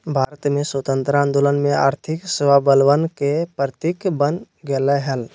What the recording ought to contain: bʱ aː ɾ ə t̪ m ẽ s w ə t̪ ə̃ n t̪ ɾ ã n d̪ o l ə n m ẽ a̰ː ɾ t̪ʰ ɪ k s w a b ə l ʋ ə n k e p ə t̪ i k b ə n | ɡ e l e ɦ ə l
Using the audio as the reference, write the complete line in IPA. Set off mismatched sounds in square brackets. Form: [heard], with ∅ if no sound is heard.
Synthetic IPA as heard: bʱ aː ɾ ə t̪ m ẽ s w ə t̪ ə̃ n t̪ ɾ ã n d̪ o l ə n m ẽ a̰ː ɾ t̪ʰ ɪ k s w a b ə l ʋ ə n k e p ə t̪ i k b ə n | ɡ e l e ɦ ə l